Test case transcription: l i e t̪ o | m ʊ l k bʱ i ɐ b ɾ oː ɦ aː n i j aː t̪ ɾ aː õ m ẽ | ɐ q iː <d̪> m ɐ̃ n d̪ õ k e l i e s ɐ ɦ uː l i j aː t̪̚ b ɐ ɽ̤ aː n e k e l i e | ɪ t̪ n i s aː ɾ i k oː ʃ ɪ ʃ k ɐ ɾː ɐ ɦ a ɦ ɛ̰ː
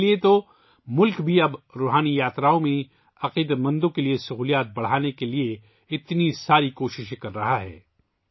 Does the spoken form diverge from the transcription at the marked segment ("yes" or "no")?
no